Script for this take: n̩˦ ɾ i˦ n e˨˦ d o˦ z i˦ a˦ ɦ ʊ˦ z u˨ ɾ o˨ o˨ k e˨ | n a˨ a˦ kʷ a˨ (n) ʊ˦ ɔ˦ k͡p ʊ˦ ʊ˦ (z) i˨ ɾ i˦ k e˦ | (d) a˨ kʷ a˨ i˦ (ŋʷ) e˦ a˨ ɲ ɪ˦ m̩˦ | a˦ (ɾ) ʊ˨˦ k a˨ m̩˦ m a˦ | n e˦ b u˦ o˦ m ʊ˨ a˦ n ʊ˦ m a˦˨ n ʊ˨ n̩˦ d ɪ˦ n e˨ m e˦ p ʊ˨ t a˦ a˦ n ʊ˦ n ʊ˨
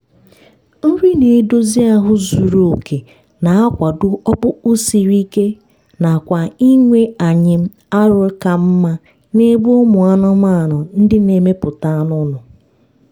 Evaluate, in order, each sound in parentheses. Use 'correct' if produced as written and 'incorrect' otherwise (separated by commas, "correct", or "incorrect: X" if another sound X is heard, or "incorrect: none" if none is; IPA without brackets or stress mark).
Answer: incorrect: d, incorrect: s, incorrect: n, correct, correct